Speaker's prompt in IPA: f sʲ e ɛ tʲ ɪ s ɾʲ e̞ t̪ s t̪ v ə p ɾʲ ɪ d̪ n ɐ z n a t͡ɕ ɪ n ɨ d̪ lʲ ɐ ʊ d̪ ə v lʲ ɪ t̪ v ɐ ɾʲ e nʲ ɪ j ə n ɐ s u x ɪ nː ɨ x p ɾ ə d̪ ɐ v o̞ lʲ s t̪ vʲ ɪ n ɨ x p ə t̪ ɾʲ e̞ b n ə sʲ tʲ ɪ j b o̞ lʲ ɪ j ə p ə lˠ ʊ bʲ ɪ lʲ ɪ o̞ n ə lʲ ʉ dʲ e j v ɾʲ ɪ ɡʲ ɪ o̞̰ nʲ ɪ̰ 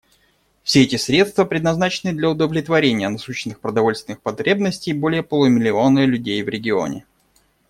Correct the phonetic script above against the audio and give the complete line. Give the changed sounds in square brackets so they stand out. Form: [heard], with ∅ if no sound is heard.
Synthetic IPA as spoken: f sʲ e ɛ tʲ ɪ s ɾʲ e̞ t̪ s t̪ v ə p ɾʲ ɪ d̪ n ɐ z n a t͡ɕ ɪ n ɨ d̪ lʲ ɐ ʊ d̪ ə v lʲ ɪ t̪ v ɐ ɾʲ e nʲ ɪ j ə n ɐ s u [ɕ] ɪ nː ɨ x p ɾ ə d̪ ɐ v o̞ lʲ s t̪ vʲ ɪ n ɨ x p [ɐ] t̪ ɾʲ e̞ b n ə sʲ tʲ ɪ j b o̞ lʲ ɪ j ə p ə lˠ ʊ [mʲ] ɪ lʲ ɪ o̞ n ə lʲ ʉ dʲ e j v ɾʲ ɪ ɡʲ ɪ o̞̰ nʲ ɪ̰

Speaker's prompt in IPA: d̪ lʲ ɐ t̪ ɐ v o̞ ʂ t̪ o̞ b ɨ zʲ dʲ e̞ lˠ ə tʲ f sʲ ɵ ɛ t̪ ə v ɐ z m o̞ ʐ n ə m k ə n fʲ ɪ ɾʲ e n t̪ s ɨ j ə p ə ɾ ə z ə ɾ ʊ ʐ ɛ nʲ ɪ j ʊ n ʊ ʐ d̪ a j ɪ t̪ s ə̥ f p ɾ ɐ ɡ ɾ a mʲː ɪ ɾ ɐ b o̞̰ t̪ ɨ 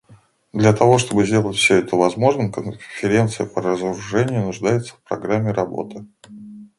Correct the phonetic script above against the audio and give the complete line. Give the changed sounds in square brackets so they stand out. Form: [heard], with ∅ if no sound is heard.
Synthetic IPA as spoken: d̪ lʲ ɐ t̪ ɐ v o̞ ʂ t̪ o̞ b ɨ zʲ dʲ e̞ lˠ ə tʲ f sʲ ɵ ɛ t̪ ə v ɐ z m o̞ ʐ n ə m k ə n fʲ ɪ ɾʲ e n t̪ s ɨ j ə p ə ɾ ə z ə ɾ ʊ ʐ ɛ nʲ ɪ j ʊ n ʊ ʐ d̪ a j ɪ t̪ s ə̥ f p ɾ ɐ ɡ ɾ a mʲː ɪ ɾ ɐ b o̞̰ t̪ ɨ

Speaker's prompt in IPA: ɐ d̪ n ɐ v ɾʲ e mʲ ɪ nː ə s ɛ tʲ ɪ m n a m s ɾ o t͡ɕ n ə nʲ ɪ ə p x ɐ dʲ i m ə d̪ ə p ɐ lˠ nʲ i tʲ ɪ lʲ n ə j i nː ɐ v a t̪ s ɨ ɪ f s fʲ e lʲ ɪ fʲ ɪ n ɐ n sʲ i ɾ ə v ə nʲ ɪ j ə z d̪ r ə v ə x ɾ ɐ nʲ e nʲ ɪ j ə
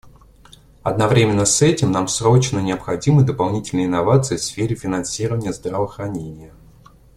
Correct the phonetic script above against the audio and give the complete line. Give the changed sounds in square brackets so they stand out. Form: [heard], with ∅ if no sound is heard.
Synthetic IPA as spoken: ɐ d̪ n ɐ v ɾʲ e mʲ ɪ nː ə s ɛ tʲ ɪ m n a m s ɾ o t͡ɕ n ə nʲ ɪ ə p x ɐ dʲ i m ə d̪ ə p ɐ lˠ nʲ i tʲ ɪ lʲ n ə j [ɪ] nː ɐ v a t̪ s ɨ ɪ f s fʲ e [ɾʲ] ɪ fʲ ɪ n ɐ n sʲ i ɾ ə v ə nʲ ɪ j ə z d̪ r ə v ə x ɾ ɐ nʲ e nʲ ɪ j ə

